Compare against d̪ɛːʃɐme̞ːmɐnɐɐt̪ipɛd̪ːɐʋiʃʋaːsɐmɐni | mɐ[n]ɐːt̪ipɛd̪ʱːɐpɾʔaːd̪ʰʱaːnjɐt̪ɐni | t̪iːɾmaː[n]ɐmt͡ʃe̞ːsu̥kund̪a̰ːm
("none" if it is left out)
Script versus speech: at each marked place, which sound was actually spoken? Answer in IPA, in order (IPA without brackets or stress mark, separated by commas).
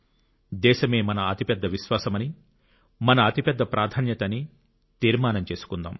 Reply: n, n